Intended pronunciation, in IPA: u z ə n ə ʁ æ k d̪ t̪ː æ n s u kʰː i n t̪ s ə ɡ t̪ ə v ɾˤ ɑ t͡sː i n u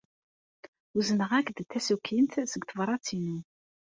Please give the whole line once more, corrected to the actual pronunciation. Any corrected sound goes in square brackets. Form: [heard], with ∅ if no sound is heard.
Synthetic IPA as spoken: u z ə n ə ʁ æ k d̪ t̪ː æ [∅] s u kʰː i n t̪ s ə ɡ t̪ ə v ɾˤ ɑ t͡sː i n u